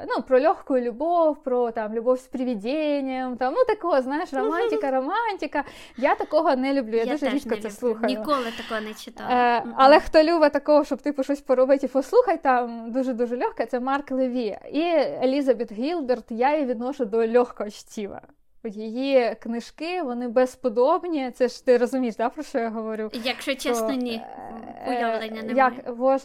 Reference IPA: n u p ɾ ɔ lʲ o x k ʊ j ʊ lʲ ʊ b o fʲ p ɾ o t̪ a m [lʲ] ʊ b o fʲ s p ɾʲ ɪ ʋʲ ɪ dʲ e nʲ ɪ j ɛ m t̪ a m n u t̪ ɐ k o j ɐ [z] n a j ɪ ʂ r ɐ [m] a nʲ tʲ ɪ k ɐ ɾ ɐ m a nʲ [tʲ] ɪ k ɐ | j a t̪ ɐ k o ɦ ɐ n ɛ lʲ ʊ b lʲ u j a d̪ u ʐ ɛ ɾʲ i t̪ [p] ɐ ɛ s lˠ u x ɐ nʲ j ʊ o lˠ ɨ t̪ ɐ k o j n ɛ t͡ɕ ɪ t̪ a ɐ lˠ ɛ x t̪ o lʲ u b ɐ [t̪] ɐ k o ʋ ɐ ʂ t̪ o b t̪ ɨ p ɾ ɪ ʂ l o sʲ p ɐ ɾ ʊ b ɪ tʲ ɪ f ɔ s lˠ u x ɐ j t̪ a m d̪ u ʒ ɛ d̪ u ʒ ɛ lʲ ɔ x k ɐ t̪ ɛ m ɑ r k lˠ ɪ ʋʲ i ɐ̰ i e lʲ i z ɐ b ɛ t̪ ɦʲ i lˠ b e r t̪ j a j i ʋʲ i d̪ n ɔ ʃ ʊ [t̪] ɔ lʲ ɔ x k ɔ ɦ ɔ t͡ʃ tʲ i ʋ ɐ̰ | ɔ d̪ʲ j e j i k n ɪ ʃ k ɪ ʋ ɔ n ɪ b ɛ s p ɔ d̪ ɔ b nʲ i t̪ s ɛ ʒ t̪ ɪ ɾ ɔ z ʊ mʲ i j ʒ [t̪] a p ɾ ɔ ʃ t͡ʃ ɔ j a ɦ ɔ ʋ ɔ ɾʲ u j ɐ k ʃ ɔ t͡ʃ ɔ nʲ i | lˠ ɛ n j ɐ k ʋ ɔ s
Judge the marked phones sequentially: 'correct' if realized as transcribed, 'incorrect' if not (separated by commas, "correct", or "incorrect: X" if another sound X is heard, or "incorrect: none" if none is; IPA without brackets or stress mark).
correct, correct, correct, correct, incorrect: k, correct, incorrect: d̪, incorrect: d̪